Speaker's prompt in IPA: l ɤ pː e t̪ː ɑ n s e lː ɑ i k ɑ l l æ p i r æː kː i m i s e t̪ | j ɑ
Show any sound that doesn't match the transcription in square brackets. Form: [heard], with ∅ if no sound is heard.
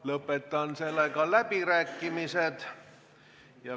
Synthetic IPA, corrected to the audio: l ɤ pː e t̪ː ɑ n s e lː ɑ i k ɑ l l æ p i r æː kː i m i s e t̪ | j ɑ